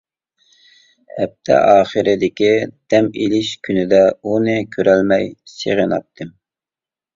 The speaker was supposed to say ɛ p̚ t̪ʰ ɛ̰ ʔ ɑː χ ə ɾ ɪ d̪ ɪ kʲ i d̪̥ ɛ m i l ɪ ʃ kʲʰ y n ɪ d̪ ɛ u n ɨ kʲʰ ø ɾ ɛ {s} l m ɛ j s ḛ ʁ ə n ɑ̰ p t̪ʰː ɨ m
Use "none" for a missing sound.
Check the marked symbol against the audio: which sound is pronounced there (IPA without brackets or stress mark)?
none